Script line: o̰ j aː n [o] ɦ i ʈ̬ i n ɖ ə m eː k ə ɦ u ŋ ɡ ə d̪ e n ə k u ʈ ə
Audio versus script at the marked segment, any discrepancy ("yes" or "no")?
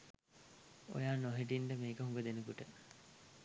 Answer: no